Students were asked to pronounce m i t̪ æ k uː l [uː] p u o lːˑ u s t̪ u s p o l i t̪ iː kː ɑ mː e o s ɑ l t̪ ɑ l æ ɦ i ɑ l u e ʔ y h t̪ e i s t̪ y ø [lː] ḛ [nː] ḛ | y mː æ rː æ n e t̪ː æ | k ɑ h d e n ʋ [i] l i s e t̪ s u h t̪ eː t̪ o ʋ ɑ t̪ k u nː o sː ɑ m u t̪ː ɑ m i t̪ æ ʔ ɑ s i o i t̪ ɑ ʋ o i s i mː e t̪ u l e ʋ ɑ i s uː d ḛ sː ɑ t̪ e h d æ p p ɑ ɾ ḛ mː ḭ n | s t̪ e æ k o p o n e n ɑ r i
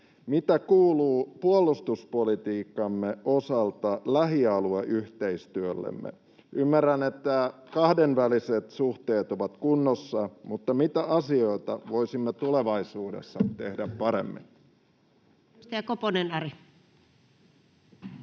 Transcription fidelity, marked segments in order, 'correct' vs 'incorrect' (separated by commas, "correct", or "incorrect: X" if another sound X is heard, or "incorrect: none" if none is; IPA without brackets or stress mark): correct, correct, incorrect: mː, incorrect: æ